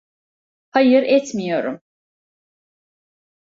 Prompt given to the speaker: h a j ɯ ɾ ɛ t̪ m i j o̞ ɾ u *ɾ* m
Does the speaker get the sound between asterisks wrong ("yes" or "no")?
yes